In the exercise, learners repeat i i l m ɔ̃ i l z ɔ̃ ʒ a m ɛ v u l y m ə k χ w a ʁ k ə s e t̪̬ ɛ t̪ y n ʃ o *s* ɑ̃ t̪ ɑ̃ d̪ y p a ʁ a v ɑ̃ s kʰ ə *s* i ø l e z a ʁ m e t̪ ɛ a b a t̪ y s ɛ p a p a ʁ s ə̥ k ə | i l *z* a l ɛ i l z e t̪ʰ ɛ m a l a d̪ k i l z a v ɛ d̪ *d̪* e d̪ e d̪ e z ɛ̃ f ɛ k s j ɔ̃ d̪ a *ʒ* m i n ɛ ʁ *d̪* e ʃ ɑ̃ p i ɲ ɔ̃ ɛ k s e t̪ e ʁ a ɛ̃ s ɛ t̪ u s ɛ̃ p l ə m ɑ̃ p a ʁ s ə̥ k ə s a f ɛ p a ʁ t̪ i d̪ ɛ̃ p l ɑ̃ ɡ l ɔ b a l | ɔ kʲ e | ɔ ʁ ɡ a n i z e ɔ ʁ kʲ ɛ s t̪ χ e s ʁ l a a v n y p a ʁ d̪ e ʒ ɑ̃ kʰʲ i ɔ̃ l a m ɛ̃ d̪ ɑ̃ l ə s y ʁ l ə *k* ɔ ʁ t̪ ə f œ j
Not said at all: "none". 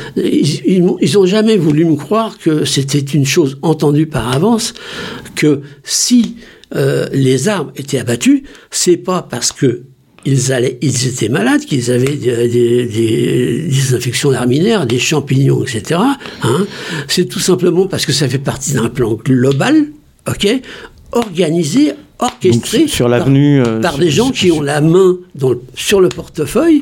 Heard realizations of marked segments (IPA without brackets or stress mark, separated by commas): z, s, z, d̪, ʁ, d̪, p